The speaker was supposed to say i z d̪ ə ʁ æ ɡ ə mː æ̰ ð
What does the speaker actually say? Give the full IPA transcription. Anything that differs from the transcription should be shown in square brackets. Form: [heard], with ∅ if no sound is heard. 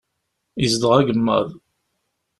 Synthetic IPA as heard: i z d̪ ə ʁ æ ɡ ə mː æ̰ ð